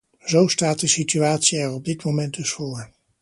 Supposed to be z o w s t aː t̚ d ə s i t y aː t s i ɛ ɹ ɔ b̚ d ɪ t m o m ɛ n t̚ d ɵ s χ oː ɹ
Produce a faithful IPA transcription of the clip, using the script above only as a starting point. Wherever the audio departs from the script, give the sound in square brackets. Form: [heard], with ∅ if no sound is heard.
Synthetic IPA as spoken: z o w s t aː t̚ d ə s i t y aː t s i ɛ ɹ ɔ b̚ d ɪ t m o m ɛ n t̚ d ɵ s [f] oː ɹ